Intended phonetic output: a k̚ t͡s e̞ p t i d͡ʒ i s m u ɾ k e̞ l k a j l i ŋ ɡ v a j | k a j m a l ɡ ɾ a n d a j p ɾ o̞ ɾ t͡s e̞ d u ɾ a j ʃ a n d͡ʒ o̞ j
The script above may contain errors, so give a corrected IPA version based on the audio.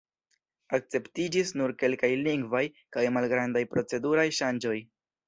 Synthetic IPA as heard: a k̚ t͡s e̞ p t i d͡ʒ i s n u ɾ k e̞ l k a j l i ŋ ɡ v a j | k a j m a l ɡ ɾ a n d a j p ɾ o̞ t͡s e̞ d u ɾ a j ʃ a n d͡ʒ o̞ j